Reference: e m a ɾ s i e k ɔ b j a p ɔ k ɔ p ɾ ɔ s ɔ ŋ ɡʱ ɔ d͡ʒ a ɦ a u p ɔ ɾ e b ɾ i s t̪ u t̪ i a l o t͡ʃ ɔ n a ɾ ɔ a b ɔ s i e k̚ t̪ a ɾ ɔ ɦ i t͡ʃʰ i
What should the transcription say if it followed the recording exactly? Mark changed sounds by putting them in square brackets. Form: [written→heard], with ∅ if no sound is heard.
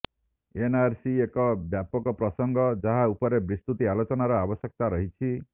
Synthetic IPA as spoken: e [m→n] a ɾ s i e k ɔ b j a p ɔ k ɔ p ɾ ɔ s ɔ ŋ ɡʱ ɔ d͡ʒ a ɦ a u p ɔ ɾ e b ɾ i s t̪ u t̪ i a l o t͡ʃ ɔ n a ɾ ɔ a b ɔ s [i→j] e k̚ t̪ a ɾ ɔ ɦ i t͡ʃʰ i